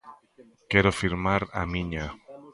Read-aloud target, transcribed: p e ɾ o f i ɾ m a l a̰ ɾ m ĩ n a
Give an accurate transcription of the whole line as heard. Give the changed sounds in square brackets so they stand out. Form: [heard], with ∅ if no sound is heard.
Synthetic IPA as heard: [k] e ɾ o f i ɾ m a [ɾ] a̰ [∅] m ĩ [ɲ] a